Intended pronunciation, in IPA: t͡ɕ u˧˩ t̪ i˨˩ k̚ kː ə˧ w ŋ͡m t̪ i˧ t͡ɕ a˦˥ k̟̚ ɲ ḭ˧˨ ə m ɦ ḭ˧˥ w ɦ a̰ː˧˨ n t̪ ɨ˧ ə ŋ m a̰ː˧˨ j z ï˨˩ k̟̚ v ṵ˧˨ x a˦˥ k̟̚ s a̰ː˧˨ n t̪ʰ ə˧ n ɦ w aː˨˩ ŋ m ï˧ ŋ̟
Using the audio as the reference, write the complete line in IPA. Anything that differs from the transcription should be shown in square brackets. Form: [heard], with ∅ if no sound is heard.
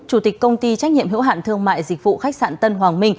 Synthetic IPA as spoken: t͡ɕ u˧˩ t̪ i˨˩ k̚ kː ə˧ w ŋ͡m t̪ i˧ t͡ɕ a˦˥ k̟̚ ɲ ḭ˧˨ ə m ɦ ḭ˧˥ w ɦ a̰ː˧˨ n t̪ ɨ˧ ə ŋ m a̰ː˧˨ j z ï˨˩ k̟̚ v ṵ˧˨ x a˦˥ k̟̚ s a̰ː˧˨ n [t̪] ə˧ n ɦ w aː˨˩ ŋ m ï˧ ŋ̟